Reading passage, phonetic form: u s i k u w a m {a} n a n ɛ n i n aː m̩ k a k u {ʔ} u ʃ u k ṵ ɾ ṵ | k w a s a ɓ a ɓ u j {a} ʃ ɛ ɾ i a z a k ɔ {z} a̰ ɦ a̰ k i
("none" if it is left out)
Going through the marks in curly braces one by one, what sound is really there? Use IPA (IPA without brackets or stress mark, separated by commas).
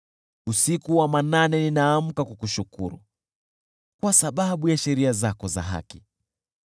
a, k, a, z